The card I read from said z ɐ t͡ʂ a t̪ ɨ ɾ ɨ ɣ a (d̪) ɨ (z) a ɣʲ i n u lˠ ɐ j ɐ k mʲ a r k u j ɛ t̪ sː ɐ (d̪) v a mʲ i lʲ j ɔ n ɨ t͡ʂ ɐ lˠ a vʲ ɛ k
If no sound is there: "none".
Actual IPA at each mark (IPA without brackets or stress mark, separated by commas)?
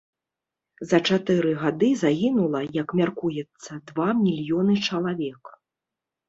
d̪, z, d̪